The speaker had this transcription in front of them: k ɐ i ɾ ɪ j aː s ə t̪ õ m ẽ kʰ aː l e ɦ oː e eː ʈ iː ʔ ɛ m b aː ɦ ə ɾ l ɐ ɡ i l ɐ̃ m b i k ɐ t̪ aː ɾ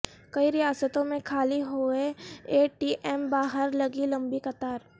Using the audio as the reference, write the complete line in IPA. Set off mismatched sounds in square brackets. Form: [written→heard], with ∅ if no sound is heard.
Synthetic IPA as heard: k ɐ i ɾ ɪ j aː s ə t̪ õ m ẽ kʰ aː l [e→i] ɦ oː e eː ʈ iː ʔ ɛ m b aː ɦ ə ɾ l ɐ ɡ i l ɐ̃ m b i k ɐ t̪ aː ɾ